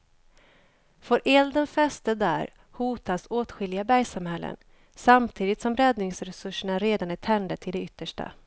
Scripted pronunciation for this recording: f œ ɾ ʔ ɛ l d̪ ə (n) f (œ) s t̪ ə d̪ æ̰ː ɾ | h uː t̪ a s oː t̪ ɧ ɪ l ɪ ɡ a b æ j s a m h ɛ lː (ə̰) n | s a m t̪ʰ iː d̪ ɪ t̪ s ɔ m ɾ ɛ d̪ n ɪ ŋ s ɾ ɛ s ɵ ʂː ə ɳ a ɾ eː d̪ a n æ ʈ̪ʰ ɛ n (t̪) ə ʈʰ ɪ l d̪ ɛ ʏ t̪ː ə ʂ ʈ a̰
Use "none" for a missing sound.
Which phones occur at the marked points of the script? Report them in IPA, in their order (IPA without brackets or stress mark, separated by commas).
n, ɛ, ə̰, d̪